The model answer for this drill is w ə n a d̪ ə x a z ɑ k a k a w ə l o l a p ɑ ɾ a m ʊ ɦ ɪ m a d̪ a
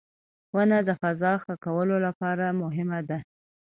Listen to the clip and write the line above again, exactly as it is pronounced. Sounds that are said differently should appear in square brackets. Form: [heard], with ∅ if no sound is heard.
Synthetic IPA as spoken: w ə n a d̪ ə [f] a z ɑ [x] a k a w ə l o l a p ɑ ɾ a m ʊ ɦ ɪ m a d̪ a